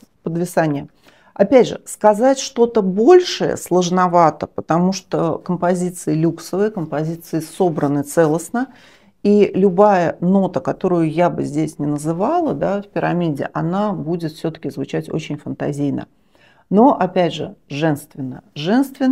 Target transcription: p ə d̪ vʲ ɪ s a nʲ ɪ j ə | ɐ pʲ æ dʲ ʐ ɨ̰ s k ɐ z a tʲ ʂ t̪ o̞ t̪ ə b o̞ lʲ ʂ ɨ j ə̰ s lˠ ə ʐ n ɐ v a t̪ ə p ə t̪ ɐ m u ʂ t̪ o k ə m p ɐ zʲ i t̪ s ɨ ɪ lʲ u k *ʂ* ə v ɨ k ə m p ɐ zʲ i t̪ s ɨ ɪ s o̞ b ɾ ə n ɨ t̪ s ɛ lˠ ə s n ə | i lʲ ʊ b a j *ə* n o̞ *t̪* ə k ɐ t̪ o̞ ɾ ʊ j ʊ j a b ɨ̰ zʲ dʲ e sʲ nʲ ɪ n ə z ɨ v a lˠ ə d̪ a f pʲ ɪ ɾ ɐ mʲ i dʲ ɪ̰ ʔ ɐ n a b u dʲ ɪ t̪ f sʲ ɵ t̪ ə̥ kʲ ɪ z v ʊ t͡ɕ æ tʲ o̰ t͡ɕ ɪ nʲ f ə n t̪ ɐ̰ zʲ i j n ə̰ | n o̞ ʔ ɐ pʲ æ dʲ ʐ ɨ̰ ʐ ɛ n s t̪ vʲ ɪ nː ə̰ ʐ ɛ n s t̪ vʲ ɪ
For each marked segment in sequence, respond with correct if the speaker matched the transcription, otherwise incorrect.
incorrect: s, correct, correct

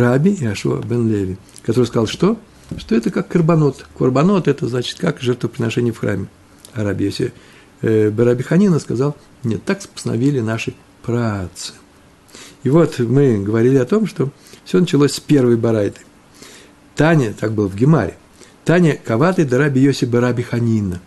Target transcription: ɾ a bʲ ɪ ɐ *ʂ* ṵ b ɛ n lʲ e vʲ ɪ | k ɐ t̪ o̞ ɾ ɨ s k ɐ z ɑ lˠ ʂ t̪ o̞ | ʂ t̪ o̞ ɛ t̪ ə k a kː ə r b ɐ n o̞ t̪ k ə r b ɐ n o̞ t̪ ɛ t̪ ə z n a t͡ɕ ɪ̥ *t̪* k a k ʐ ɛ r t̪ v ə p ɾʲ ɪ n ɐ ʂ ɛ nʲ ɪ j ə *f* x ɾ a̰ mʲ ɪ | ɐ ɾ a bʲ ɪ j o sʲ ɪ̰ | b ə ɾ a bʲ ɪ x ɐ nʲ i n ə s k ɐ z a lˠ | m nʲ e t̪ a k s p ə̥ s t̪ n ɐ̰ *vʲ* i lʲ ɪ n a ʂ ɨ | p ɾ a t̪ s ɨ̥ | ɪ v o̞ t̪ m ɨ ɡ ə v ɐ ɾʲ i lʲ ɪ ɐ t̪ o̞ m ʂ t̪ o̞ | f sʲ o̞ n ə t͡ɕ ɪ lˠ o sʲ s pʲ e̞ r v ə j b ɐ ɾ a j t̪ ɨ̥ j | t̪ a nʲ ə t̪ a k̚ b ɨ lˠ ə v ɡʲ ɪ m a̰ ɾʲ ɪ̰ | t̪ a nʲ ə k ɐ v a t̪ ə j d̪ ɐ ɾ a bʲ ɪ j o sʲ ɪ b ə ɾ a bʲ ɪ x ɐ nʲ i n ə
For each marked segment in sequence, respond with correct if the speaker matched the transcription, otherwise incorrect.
correct, correct, correct, correct

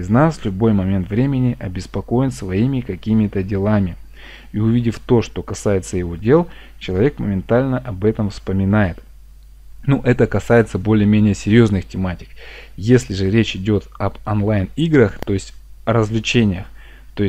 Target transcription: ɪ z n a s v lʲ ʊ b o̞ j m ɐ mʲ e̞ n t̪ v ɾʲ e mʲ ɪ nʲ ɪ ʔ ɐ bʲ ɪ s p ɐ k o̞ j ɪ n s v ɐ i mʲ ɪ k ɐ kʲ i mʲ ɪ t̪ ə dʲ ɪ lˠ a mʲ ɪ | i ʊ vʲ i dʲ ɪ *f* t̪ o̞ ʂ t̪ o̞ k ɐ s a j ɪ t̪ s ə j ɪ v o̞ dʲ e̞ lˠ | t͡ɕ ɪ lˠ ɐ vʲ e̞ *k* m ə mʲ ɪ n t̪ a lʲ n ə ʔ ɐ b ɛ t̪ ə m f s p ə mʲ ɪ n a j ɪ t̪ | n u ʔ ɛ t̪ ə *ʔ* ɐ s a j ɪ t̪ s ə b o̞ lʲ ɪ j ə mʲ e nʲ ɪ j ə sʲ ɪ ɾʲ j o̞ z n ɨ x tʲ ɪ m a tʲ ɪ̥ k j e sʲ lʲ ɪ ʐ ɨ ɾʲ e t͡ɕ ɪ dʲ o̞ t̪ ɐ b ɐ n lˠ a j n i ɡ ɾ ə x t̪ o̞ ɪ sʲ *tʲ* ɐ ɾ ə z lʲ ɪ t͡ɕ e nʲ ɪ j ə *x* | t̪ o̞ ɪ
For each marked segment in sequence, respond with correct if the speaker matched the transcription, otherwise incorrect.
correct, correct, incorrect: k, correct, correct

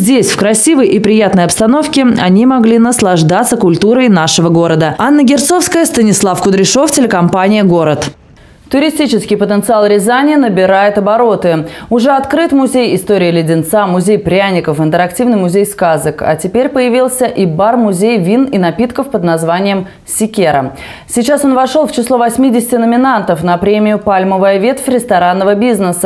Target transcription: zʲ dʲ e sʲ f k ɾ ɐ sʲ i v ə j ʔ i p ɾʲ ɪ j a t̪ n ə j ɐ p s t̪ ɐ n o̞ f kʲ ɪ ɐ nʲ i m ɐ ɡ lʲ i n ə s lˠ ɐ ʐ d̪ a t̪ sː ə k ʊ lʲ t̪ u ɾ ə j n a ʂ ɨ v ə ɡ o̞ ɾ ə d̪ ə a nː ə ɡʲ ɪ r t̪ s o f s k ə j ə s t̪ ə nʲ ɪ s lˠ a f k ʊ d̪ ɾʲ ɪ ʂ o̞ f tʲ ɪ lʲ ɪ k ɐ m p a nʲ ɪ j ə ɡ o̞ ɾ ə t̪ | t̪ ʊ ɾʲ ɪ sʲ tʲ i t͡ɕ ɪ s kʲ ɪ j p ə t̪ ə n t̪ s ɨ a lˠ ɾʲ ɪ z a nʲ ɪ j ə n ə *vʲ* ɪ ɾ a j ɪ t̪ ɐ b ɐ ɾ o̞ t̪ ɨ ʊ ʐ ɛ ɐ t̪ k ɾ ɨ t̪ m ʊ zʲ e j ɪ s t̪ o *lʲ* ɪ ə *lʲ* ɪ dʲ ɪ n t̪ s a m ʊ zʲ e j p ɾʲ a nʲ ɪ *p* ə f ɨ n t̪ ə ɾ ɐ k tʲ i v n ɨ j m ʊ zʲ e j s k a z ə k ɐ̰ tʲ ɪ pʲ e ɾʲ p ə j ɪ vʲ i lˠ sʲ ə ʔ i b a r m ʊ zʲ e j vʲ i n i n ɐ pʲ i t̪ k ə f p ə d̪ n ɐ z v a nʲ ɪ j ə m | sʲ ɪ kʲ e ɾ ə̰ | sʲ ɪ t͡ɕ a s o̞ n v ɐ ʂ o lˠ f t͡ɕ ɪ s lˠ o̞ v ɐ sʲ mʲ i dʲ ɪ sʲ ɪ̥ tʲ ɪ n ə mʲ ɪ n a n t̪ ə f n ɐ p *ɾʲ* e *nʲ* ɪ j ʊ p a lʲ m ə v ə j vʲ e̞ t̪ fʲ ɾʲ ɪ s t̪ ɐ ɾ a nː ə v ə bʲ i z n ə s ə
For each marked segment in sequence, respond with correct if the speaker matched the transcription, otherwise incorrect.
incorrect: bʲ, incorrect: ɾʲ, correct, incorrect: k, correct, incorrect: mʲ

